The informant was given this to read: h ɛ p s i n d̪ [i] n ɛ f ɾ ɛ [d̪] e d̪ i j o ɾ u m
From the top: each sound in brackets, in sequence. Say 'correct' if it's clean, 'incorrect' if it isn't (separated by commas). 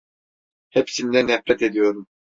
incorrect, incorrect